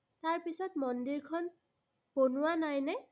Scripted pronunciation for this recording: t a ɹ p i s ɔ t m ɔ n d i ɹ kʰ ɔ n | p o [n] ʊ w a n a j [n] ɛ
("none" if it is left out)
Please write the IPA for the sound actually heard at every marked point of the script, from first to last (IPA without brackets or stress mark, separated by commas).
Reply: n, n